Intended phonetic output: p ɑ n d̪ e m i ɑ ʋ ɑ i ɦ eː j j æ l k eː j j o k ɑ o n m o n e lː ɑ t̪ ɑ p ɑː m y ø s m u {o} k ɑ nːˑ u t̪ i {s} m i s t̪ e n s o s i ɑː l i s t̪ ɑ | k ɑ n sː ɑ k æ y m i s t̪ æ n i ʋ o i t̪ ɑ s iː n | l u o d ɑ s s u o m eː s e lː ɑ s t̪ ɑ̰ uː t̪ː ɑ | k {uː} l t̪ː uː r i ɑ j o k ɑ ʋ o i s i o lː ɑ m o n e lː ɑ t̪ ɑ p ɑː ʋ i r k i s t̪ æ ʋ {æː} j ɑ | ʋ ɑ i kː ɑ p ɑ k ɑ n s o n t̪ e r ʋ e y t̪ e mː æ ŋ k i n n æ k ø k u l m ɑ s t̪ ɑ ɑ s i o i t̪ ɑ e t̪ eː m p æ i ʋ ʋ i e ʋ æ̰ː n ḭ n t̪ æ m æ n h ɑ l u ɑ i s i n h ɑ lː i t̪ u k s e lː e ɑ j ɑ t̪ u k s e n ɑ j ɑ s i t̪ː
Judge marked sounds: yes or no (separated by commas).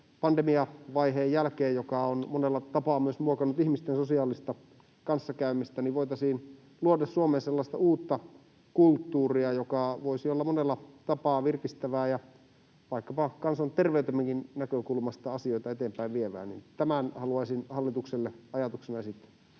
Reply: yes, no, no, yes